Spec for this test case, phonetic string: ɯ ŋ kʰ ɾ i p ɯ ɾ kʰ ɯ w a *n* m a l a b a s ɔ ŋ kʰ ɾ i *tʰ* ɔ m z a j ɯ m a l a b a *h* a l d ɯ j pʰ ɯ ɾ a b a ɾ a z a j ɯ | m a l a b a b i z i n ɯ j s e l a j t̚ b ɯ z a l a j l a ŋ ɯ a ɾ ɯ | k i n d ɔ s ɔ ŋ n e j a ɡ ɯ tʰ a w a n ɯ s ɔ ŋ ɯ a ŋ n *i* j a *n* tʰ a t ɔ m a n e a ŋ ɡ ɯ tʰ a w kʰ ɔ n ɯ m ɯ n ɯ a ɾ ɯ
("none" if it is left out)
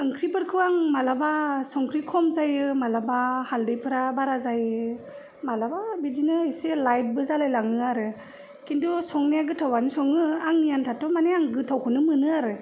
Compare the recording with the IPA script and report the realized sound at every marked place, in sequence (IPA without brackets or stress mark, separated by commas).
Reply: ŋ, kʰ, h, i, n